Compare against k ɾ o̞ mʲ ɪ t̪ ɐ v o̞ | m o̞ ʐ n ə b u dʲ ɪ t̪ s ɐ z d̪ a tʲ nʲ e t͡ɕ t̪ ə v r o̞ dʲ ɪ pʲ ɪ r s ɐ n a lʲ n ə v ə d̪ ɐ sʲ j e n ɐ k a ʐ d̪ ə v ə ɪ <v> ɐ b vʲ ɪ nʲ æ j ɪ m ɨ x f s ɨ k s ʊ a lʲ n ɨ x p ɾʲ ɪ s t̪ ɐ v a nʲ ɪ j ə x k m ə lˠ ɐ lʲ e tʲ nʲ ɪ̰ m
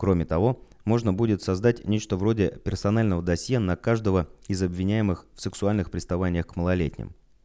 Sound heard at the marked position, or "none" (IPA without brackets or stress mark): z